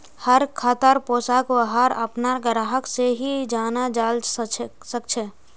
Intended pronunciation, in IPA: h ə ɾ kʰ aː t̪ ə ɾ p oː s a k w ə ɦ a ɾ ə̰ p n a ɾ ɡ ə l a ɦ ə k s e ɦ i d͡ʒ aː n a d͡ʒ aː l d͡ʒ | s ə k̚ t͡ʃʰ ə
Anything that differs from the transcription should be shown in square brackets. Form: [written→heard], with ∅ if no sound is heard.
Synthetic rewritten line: h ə ɾ kʰ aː t̪ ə ɾ p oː s a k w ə ɦ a ɾ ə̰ p n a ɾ ɡ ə [l→ɾ] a ɦ ə k s e ɦ i d͡ʒ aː n a d͡ʒ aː l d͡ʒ | s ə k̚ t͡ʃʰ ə